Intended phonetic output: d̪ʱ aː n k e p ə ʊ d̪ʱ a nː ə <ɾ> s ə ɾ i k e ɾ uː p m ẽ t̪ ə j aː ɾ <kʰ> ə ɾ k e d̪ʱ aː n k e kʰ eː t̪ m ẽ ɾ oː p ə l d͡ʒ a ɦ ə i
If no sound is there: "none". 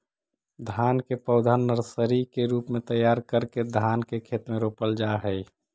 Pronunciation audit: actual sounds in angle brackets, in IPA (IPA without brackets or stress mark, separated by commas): ɾ, k